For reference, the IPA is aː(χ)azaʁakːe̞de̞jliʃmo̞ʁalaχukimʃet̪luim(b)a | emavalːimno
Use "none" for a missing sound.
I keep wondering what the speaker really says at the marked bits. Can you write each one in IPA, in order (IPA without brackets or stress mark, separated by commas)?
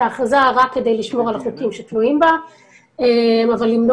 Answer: χ, b